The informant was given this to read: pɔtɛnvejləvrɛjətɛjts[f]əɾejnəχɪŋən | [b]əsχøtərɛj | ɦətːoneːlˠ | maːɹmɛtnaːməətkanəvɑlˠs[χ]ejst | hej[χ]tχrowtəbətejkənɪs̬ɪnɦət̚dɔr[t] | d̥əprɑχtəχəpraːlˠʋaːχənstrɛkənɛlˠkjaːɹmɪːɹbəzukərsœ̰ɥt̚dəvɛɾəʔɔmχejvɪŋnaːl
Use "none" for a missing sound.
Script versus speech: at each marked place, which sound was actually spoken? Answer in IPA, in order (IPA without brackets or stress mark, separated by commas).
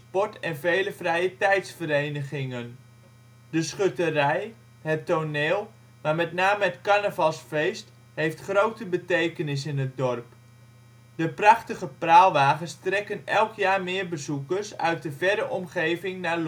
f, d, f, f, p